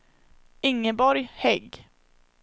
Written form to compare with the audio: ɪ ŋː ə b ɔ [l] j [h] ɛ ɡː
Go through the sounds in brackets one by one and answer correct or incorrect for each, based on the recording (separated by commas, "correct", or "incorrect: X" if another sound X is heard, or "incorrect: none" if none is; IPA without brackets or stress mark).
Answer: incorrect: ɾ, correct